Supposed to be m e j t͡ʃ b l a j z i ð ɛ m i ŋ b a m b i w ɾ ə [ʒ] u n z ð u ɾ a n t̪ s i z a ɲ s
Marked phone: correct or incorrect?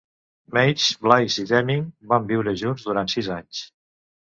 correct